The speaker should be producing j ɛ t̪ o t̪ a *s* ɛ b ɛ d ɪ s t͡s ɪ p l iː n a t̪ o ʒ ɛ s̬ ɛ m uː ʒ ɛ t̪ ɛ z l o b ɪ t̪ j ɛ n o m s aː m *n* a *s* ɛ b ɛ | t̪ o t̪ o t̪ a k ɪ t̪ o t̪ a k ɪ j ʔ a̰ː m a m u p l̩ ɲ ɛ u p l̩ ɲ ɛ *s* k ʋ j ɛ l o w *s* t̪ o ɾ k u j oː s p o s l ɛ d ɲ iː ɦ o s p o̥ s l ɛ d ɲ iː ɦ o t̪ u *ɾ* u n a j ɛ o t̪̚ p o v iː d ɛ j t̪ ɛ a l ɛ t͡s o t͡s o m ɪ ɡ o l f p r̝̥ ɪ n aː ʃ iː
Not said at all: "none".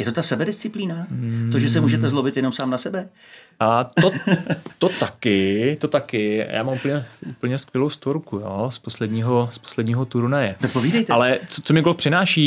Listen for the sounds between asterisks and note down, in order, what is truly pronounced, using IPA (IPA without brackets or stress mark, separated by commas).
s, n, s, s, s, ɾ